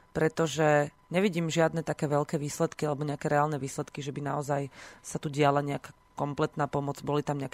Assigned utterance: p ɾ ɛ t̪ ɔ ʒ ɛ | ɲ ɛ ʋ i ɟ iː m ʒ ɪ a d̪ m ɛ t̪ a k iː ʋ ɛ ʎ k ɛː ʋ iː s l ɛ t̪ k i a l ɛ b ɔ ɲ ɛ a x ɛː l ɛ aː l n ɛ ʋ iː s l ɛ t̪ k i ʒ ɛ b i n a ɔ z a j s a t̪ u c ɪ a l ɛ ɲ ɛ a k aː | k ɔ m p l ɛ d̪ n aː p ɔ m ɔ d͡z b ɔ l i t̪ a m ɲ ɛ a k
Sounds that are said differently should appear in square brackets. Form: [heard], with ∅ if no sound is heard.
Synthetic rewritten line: p ɾ ɛ t̪ ɔ ʒ ɛ | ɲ ɛ ʋ i ɟ iː m ʒ ɪ a d̪ [n] ɛ t̪ a k [ɛː] ʋ ɛ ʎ k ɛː ʋ iː s l ɛ t̪ k i a l ɛ b ɔ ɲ ɛ a [k] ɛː [ɾ] ɛ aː l n ɛ ʋ iː s l ɛ t̪ k i ʒ ɛ b i n a ɔ z a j s a t̪ u [ɟ] ɪ a l [a] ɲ ɛ a k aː | k ɔ m p l ɛ [t̪] n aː p ɔ m ɔ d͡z b ɔ l i t̪ a m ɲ ɛ a k